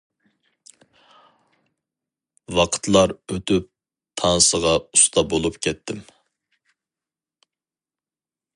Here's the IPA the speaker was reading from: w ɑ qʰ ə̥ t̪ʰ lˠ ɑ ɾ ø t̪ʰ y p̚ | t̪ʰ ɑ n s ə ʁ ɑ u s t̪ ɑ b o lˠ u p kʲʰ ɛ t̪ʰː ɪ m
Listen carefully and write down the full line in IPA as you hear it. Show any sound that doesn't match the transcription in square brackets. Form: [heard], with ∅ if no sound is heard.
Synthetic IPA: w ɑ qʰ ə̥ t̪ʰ lˠ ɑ ɾ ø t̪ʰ y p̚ | t̪ʰ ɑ n s ə ʁ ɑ u s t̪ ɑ b o lˠ u p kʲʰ ɛ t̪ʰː ɪ m

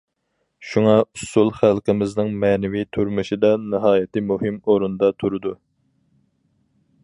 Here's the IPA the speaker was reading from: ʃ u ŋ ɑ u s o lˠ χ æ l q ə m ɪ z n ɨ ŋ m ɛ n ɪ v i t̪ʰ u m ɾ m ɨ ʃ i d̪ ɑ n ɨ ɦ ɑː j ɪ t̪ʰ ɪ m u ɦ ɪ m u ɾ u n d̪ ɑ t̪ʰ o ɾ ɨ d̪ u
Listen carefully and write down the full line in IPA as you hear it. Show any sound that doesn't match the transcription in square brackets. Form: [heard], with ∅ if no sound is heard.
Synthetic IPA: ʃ u ŋ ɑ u s [u] lˠ χ æ l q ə m ɪ z n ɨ ŋ m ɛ n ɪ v i t̪ʰ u [∅] ɾ m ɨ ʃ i d̪ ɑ n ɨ ɦ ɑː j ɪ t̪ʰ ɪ m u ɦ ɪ m [o] ɾ u n d̪ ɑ t̪ʰ [u] ɾ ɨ d̪ u

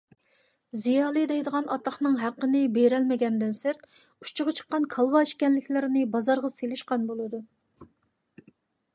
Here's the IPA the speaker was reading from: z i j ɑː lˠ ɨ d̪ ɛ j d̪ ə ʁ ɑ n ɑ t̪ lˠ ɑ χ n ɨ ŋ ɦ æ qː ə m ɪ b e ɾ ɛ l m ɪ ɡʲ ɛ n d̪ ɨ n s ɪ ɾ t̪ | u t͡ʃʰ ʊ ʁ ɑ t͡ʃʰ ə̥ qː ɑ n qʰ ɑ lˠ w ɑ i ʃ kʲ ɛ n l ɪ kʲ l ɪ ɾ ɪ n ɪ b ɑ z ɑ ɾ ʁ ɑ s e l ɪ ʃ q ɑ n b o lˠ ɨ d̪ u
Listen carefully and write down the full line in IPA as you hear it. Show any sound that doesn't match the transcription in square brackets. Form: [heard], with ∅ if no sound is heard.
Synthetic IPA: z i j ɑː lˠ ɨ d̪ ɛ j d̪ ə ʁ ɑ n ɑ t̪ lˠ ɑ χ n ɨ ŋ ɦ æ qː ə [n] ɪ b e ɾ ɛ l m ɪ ɡʲ ɛ n d̪ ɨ n s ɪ ɾ t̪ | u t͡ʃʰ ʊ ʁ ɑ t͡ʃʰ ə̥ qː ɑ n [kʰ] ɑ lˠ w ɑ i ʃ kʲ ɛ n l ɪ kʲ l ɪ ɾ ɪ n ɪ b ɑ z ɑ ɾ ʁ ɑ s e l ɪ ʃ q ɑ n b o lˠ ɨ d̪ u

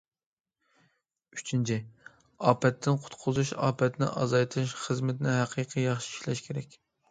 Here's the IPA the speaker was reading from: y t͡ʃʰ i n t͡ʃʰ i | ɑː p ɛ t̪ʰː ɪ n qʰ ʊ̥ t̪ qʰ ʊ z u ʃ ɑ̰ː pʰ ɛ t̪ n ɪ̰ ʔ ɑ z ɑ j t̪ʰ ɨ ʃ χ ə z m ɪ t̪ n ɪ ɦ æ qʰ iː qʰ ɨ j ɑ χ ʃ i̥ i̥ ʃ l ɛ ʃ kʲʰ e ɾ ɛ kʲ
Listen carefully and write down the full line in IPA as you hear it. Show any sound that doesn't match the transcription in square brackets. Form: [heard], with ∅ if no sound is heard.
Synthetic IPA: y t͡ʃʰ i n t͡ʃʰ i | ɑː p ɛ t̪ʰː ɪ n qʰ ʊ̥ t̪ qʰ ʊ z u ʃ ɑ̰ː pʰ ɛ t̪ n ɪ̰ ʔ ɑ z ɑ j t̪ʰ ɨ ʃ χ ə z m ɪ t̪ n ɪ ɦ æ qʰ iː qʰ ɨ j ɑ χ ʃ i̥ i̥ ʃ l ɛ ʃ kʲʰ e ɾ ɛ kʲ

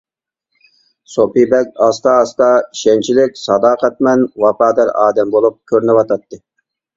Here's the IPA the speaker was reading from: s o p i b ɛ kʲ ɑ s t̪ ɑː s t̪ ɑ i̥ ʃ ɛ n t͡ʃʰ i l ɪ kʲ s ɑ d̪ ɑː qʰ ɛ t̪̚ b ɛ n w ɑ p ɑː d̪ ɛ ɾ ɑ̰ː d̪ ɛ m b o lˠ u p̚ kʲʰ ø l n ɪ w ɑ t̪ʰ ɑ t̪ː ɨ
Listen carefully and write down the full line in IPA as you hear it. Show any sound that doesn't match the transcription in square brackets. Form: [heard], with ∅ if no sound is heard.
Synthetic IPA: s o p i b ɛ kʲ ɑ s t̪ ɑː s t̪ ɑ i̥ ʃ ɛ n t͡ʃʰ i l ɪ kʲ s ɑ d̪ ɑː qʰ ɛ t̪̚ [m] ɛ n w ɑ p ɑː d̪ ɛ ɾ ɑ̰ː d̪ ɛ m b o lˠ u p̚ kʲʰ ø [ɾ] n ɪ w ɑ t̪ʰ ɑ t̪ː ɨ

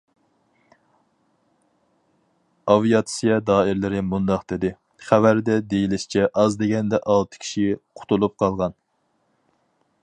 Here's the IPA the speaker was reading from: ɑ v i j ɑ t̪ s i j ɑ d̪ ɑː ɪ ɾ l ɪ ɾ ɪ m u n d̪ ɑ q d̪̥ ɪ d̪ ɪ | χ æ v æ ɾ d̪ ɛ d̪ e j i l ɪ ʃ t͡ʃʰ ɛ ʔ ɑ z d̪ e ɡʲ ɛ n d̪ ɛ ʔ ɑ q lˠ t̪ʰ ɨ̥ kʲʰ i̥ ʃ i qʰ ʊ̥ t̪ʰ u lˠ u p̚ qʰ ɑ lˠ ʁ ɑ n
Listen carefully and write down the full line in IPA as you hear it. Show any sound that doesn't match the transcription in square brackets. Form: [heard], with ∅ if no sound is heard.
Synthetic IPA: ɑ v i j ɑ t̪ s i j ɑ d̪ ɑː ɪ ɾ l ɪ ɾ ɪ m u n d̪ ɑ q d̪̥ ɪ d̪ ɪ | χ æ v æ ɾ d̪ ɛ d̪ e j i l ɪ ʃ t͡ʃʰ ɛ ʔ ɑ z d̪ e ɡʲ ɛ n d̪ ɛ ʔ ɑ [∅] lˠ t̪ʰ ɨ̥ kʲʰ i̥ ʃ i qʰ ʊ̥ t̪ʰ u lˠ u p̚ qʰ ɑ lˠ ʁ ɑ n

